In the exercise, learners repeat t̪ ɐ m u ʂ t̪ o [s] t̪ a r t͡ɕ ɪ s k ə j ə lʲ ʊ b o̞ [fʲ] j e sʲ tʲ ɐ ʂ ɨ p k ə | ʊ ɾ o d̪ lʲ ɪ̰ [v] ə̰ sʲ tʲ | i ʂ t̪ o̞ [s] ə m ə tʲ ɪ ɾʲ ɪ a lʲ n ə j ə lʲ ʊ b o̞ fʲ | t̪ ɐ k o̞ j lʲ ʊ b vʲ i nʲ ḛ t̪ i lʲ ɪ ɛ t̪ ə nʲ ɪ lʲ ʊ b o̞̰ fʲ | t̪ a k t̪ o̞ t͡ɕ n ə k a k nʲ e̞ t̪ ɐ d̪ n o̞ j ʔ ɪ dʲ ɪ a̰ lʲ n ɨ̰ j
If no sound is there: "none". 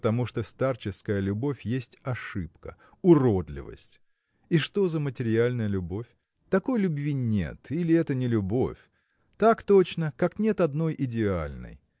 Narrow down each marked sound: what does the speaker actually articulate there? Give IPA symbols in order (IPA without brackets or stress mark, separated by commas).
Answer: s, fʲ, v, z